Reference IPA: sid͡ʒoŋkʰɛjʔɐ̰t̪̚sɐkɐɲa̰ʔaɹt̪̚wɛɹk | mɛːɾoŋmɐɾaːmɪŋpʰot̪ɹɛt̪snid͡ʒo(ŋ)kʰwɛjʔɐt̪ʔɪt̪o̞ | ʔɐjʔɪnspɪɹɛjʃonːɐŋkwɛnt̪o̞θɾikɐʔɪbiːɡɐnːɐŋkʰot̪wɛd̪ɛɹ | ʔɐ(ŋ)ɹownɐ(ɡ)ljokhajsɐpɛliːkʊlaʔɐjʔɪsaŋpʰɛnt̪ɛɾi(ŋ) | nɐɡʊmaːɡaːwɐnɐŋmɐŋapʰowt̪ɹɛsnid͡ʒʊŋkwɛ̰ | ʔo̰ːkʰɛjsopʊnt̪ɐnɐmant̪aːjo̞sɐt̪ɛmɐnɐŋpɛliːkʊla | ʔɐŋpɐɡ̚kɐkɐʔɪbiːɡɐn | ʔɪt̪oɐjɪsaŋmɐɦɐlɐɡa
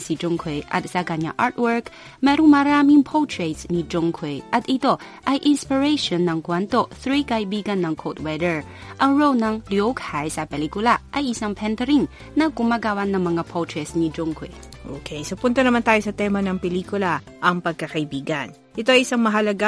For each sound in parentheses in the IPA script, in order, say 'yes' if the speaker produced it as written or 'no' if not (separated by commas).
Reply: yes, yes, no, yes